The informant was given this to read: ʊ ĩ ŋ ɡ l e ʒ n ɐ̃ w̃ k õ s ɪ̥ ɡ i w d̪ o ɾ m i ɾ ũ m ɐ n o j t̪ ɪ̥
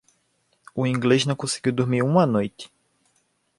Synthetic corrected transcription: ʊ ĩ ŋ ɡ l e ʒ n ɐ̃ w̃ k õ s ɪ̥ ɡ i w d̪ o ɾ m i ɾ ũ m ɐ n o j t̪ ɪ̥